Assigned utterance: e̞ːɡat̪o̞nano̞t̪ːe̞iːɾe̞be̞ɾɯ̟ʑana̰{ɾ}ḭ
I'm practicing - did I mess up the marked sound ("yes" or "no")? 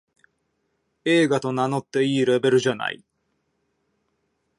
yes